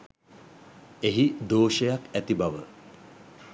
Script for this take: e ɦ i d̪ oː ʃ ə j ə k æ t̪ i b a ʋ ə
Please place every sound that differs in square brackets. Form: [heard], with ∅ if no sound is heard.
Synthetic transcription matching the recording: e ɦ i d̪ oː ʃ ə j [a] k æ t̪ i b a ʋ ə

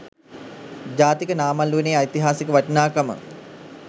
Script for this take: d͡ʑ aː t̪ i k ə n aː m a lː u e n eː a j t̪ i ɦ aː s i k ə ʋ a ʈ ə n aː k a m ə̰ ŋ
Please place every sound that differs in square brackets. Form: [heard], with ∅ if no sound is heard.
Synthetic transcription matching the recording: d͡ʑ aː t̪ i k ə n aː m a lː u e n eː a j t̪ i ɦ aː s i k ə ʋ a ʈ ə n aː k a m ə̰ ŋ

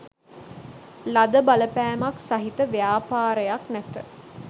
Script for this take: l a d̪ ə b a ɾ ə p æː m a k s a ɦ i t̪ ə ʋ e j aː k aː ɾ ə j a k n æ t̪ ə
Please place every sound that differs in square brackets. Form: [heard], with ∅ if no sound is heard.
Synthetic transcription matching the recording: l a d̪ ə b a [l] ə p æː m a k s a ɦ i t̪ ə ʋ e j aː [p] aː ɾ ə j a k n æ t̪ ə

